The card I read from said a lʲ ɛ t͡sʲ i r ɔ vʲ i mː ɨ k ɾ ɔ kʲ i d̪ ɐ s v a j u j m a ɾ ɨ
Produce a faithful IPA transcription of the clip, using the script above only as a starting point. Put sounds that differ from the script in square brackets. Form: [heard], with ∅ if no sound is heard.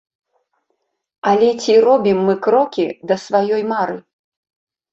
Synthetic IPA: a lʲ ɛ t͡sʲ i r ɔ [bʲ] i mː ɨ k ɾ ɔ kʲ i d̪ ɐ s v a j [ɔ] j m a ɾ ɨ